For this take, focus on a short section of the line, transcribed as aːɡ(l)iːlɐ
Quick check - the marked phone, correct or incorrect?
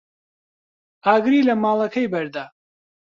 incorrect